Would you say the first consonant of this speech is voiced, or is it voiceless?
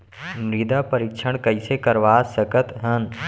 voiced